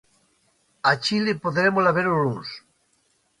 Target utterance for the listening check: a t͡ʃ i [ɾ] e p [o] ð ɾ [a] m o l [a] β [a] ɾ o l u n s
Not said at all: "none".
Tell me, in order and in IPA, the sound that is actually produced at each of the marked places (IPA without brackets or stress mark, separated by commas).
l, o, e, a, e